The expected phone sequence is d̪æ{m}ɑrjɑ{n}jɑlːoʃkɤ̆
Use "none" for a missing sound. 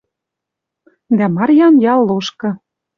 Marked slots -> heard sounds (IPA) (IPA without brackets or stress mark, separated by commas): m, n